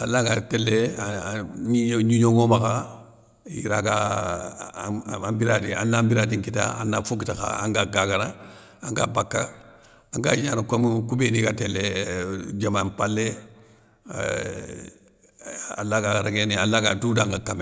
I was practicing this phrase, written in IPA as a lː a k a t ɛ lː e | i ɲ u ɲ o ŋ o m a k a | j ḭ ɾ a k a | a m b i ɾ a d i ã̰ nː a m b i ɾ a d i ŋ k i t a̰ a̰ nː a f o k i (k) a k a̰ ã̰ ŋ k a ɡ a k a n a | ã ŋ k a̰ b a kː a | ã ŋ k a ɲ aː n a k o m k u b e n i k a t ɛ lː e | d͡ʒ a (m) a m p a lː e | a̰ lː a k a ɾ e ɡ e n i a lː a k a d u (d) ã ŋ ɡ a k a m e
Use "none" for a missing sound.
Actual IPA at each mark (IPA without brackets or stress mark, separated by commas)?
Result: t, m, d